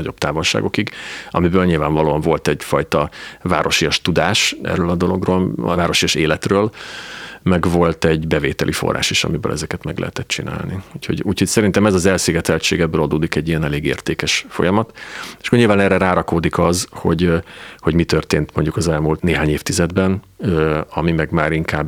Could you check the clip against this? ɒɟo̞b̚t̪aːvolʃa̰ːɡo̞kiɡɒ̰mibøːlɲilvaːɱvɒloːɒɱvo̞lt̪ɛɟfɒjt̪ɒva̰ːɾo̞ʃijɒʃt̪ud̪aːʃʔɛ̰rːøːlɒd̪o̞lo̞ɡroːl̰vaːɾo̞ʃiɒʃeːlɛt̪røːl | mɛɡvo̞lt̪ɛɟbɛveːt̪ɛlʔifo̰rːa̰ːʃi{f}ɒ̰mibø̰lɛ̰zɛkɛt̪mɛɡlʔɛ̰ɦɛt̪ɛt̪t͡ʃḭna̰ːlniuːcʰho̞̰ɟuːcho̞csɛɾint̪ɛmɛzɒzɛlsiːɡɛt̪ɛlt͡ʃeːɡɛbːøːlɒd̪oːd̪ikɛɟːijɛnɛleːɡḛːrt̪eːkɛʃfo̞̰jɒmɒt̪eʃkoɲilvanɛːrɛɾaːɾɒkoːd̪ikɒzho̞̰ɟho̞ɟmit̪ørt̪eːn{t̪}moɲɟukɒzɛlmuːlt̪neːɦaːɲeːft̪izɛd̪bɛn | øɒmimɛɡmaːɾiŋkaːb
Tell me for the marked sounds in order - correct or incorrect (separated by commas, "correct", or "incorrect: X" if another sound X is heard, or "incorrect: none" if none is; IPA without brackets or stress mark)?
incorrect: ʃ, correct